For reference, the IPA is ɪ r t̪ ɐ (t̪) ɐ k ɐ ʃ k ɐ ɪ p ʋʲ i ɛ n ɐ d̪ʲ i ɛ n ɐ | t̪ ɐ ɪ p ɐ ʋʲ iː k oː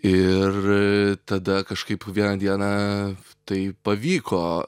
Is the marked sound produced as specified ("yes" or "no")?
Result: no